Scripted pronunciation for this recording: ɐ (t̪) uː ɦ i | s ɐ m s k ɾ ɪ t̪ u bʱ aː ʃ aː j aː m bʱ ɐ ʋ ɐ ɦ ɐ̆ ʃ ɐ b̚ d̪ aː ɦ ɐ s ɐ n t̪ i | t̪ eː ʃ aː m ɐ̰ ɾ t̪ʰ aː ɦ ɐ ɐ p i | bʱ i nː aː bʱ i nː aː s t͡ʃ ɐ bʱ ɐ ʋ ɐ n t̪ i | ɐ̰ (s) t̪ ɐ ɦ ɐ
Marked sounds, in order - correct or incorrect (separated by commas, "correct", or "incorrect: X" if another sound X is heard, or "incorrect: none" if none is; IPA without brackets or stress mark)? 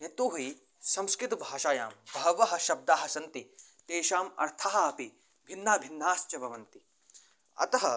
correct, incorrect: none